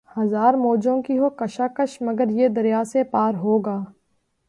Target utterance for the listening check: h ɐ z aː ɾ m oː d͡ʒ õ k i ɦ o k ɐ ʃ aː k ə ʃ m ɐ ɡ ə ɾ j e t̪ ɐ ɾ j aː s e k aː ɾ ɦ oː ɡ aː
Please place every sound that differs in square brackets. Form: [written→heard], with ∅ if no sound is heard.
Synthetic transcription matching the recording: h ɐ z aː ɾ m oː d͡ʒ õ k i ɦ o k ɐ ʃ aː k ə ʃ m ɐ ɡ ə ɾ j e [t̪→d̪] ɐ ɾ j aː s e [k→p] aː ɾ ɦ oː ɡ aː